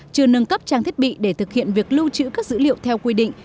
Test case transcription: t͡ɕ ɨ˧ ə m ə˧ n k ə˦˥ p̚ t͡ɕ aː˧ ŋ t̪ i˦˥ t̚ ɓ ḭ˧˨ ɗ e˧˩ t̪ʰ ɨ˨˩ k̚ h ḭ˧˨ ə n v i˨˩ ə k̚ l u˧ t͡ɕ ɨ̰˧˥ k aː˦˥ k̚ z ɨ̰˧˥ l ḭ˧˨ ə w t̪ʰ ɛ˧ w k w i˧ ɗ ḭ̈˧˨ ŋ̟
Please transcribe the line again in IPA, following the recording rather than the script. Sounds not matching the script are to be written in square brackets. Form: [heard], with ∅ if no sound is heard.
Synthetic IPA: t͡ɕ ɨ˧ ə [n] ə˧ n k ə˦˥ p̚ t͡ɕ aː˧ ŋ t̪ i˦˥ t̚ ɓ ḭ˧˨ ɗ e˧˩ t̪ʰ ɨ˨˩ k̚ h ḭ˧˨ ə n v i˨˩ ə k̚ l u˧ t͡ɕ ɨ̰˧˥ k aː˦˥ k̚ z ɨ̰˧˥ l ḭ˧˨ ə w t̪ʰ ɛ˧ w k w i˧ ɗ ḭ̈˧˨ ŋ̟